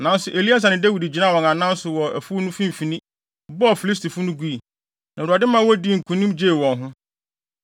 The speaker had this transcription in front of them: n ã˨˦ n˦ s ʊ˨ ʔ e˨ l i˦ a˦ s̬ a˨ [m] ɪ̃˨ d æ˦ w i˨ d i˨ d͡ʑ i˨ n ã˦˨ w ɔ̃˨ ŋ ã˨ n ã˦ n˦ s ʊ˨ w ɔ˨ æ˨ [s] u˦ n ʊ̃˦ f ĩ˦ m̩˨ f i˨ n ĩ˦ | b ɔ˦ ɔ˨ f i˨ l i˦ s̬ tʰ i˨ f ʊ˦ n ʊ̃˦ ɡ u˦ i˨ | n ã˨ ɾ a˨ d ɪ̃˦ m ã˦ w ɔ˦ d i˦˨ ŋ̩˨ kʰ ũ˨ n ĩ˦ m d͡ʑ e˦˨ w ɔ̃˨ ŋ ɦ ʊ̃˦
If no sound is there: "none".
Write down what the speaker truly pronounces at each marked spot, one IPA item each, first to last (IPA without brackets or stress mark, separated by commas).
n, f